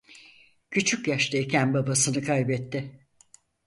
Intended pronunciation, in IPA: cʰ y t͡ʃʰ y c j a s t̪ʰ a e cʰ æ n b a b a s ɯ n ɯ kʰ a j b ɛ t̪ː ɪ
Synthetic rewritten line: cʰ y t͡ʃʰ y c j a ʃ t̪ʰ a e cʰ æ n b a b a s ɯ n ɯ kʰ a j b ɛ t̪ː ɪ